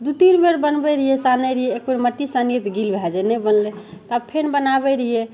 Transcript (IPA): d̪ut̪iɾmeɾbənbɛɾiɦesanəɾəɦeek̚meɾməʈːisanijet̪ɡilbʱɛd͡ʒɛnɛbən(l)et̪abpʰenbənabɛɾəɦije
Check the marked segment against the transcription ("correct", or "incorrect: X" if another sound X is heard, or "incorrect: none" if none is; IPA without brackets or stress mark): correct